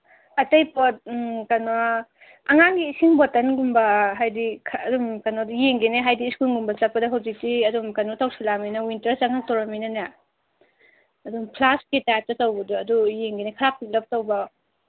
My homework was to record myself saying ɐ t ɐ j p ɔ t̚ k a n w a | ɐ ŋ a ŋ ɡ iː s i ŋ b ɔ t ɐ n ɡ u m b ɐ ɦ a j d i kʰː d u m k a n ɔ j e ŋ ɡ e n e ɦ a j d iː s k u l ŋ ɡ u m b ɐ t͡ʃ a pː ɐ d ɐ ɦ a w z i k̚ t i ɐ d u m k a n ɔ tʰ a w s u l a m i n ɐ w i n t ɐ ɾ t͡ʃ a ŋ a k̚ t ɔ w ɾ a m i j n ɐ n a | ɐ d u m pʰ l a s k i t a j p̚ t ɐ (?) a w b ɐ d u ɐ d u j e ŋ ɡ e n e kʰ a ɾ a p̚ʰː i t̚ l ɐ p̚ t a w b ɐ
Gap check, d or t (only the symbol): t